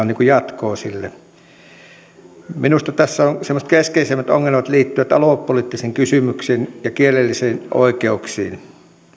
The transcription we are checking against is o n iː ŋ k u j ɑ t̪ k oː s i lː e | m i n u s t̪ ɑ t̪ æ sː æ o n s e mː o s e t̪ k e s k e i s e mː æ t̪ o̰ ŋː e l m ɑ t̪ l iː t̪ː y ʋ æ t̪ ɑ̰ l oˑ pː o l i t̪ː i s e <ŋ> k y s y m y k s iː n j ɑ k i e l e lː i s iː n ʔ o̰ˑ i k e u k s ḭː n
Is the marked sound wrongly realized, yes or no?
no